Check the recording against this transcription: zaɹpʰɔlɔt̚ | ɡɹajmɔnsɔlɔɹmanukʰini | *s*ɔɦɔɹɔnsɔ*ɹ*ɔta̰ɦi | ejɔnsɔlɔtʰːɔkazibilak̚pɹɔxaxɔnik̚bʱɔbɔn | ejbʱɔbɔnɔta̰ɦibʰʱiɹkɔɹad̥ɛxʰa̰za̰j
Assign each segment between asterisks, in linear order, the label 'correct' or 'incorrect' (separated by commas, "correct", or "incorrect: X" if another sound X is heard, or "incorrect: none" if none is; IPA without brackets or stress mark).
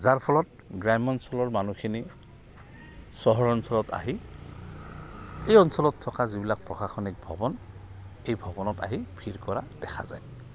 correct, incorrect: l